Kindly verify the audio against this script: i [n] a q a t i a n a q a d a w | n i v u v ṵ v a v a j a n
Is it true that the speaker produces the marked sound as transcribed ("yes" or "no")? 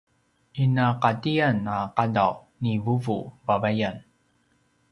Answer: yes